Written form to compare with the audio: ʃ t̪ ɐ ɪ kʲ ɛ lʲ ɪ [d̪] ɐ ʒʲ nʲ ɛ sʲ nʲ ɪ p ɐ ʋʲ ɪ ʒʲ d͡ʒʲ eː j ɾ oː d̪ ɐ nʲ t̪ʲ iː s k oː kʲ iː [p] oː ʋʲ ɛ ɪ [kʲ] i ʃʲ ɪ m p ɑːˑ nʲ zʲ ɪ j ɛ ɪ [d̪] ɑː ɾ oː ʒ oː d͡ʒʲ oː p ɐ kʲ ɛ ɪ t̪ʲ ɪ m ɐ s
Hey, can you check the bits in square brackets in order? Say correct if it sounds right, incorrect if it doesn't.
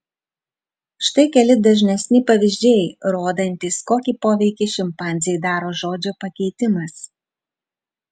correct, correct, correct, correct

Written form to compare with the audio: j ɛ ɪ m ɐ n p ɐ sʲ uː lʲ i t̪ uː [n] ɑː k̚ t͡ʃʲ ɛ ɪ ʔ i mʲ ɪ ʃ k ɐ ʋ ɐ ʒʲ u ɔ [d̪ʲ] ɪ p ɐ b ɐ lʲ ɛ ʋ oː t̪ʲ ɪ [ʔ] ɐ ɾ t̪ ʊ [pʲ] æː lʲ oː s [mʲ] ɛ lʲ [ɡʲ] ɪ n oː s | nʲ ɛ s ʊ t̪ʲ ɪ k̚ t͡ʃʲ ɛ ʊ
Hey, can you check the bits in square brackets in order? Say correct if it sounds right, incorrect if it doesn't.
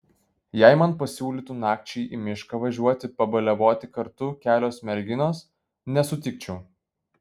correct, incorrect, incorrect, incorrect, correct, correct

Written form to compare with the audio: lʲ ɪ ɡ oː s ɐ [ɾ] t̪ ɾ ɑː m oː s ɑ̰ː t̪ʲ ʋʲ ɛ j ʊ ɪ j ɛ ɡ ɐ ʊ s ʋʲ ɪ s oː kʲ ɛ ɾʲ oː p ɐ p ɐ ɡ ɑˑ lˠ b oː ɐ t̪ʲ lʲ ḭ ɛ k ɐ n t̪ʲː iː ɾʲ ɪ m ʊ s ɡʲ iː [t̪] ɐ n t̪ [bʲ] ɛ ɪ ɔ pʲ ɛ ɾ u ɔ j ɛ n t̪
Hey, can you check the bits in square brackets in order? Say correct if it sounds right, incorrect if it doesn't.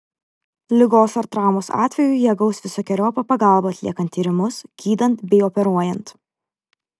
correct, incorrect, correct

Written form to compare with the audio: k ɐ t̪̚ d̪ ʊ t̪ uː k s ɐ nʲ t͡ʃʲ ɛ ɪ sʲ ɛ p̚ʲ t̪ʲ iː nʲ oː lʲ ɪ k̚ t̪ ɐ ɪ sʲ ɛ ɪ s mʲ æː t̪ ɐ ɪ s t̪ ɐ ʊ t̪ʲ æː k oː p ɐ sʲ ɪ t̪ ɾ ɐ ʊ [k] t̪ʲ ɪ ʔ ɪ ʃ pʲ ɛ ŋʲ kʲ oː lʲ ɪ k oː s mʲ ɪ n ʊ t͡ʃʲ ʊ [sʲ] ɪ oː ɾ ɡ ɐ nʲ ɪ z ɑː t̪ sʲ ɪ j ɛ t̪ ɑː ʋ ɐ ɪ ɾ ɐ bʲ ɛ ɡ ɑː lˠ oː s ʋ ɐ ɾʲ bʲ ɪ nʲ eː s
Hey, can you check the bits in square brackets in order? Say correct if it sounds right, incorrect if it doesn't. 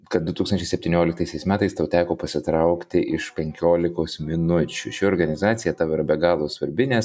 correct, incorrect

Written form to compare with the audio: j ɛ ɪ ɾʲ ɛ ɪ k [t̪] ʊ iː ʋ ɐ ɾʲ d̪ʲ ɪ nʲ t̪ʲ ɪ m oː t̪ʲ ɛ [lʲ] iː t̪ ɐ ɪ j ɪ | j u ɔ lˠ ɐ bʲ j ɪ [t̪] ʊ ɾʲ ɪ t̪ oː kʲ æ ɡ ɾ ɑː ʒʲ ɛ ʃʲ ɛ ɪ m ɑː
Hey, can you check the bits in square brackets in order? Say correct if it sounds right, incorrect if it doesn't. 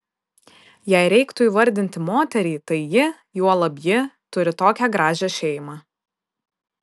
correct, incorrect, correct

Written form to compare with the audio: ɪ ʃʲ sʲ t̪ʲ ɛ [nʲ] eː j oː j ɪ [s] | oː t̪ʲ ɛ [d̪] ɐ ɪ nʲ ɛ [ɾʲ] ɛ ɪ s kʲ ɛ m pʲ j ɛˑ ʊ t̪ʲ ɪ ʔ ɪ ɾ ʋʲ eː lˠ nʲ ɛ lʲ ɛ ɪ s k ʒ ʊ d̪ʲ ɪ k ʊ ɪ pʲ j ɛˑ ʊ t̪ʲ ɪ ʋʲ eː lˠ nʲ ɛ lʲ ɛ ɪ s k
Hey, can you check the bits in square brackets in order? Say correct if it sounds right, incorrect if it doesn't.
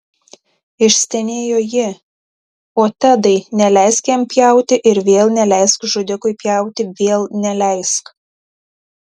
correct, incorrect, correct, incorrect

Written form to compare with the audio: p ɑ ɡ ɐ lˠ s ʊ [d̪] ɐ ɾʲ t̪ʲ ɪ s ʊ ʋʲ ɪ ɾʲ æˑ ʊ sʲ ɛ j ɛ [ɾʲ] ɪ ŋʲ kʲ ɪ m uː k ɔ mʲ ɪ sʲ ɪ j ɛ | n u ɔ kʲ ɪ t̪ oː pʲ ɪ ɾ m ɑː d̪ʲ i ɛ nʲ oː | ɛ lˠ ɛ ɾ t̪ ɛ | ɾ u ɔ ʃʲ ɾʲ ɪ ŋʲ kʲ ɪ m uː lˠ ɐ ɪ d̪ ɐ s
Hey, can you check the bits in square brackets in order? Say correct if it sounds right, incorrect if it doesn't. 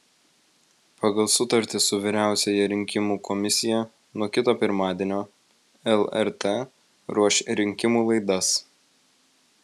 incorrect, correct

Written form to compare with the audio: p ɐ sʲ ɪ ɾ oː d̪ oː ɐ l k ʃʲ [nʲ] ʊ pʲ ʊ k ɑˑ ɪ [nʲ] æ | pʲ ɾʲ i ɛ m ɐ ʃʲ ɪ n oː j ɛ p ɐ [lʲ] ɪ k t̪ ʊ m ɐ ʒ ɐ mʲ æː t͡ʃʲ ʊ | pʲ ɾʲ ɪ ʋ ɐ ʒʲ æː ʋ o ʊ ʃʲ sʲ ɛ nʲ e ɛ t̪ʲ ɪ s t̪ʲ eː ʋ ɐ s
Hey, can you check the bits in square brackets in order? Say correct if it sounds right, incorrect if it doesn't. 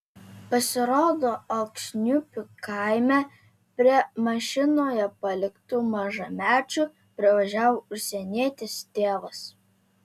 correct, incorrect, correct

